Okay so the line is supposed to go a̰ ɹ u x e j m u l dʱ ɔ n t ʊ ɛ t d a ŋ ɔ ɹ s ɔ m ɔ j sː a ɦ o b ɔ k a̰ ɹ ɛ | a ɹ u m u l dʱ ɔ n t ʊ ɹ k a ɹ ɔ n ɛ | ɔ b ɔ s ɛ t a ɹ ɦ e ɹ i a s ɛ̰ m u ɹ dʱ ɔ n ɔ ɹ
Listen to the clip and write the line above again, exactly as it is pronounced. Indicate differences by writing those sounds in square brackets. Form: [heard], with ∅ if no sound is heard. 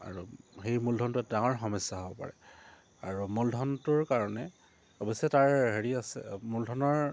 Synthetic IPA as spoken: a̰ ɹ u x e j m u l dʱ ɔ n t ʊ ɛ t d a ŋ ɔ ɹ [x] ɔ m ɔ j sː a ɦ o b ɔ [p] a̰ ɹ ɛ | a ɹ u m u l dʱ ɔ n t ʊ ɹ k a ɹ ɔ n ɛ | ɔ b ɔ s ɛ t a ɹ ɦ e ɹ i a s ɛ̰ m u [l] dʱ ɔ n ɔ ɹ